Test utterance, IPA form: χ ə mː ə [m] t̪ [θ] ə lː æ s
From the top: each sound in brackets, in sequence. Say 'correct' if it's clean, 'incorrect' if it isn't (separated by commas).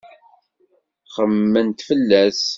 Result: incorrect, incorrect